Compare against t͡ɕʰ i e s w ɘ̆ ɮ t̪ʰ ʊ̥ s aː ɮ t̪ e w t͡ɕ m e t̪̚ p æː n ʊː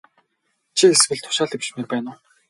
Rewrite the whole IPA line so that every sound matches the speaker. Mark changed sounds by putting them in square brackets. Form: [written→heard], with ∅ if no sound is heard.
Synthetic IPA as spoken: t͡ɕʰ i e s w ɘ̆ ɮ t̪ʰ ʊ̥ [s→ʃ] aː ɮ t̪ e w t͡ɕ m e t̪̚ p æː n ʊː